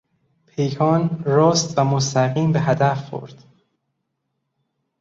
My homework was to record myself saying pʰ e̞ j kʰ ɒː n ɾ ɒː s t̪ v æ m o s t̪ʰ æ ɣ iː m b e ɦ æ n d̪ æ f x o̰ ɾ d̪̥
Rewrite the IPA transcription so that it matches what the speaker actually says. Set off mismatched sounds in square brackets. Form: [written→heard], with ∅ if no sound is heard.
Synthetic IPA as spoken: pʰ e̞ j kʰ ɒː n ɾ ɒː s t̪ v æ m o s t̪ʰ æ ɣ iː m b e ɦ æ [n→∅] d̪ æ f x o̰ ɾ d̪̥